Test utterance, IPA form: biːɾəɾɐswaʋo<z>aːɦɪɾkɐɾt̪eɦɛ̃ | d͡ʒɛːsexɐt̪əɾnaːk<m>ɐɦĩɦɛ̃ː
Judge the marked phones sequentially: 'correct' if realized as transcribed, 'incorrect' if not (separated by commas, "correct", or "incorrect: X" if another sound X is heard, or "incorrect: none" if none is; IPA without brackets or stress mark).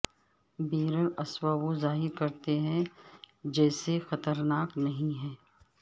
correct, incorrect: n